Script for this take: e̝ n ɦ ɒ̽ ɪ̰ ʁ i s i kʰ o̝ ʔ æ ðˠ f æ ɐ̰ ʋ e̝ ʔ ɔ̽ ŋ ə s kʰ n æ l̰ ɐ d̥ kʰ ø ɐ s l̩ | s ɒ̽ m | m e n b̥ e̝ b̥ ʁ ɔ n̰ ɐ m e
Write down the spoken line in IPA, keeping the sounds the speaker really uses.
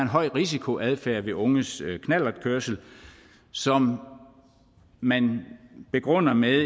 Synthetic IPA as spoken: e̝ n ɦ ɒ̽ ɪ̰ ʁ i s i kʰ o̝ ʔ æ ðˠ f æ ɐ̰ ʋ e̝ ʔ ɔ̽ ŋ ə s kʰ n æ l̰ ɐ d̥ kʰ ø ɐ s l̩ | s ɒ̽ m | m æ n b̥ e̝ ɡ̥ ʁ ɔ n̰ ɐ m e